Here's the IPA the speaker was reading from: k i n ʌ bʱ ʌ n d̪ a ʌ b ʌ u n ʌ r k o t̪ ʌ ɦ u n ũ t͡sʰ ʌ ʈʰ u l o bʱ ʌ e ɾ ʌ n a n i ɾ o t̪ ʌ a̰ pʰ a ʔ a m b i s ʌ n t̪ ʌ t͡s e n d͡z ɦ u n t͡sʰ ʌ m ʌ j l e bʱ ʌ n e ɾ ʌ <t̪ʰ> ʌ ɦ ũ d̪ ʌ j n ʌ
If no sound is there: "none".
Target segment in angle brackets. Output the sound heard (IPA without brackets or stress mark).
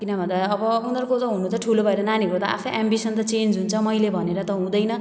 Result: t̪